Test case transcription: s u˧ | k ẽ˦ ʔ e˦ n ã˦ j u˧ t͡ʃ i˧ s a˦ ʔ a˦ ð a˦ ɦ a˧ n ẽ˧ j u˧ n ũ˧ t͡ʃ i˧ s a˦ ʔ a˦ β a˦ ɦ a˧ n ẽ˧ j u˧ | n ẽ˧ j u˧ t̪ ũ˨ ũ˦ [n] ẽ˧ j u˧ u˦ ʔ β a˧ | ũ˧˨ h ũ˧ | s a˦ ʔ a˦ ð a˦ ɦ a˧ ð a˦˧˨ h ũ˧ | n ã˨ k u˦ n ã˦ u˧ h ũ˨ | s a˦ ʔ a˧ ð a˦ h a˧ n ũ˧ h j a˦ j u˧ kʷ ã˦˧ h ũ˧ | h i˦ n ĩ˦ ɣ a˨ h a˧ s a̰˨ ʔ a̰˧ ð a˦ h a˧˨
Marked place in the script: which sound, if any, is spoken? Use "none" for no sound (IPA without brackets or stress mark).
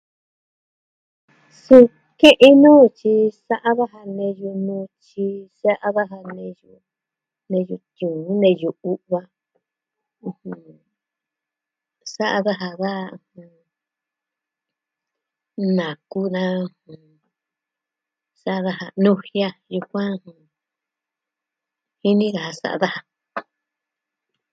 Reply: n